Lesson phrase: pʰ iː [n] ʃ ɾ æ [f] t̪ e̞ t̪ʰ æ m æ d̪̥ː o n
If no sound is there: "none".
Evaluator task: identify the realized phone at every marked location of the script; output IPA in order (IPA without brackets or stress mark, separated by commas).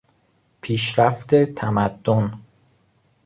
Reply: none, f